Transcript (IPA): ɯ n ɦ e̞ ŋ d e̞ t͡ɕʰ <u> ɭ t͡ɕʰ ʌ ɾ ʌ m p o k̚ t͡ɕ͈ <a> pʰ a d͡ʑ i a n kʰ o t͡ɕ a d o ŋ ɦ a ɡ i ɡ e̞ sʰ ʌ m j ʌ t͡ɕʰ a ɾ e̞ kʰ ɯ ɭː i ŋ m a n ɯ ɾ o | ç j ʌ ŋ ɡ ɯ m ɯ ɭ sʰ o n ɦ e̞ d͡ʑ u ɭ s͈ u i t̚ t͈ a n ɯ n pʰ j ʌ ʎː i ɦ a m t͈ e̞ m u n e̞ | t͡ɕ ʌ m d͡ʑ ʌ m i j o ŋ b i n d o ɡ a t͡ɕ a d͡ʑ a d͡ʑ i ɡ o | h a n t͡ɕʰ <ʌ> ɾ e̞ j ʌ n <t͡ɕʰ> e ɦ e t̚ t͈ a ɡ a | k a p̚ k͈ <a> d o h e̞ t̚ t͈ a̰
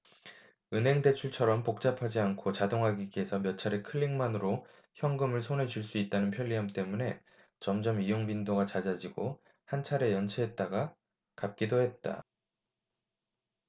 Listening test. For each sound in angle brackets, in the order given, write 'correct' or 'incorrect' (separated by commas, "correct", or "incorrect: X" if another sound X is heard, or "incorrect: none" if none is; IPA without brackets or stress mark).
correct, correct, incorrect: a, correct, incorrect: i